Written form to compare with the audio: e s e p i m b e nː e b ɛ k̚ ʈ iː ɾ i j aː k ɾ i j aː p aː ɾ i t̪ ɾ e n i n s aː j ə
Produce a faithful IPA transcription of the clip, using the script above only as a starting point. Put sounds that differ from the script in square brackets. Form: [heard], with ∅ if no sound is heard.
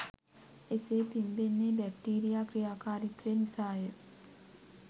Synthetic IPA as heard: e s e p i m b e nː e b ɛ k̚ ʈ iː ɾ i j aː k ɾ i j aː [k] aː ɾ i t̪ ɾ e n i [∅] s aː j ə